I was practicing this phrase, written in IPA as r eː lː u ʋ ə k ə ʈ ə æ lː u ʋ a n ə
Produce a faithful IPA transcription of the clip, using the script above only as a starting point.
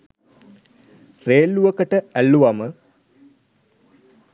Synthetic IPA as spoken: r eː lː u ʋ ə k ə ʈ ə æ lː u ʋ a m ə